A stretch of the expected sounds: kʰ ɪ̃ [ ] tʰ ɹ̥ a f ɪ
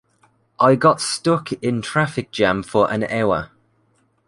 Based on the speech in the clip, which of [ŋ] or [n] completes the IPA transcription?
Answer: n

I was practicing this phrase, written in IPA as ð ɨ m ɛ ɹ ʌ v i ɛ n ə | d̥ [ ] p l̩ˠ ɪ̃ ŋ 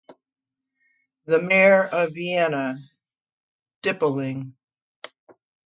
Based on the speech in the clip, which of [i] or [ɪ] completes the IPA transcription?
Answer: ɪ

